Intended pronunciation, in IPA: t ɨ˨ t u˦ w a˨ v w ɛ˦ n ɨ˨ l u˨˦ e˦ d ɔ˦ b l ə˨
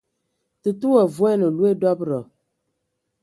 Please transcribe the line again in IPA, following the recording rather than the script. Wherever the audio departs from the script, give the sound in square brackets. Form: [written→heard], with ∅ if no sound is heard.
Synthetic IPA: t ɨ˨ t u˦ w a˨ v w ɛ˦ n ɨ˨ l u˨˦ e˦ d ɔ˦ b [l→ɾ] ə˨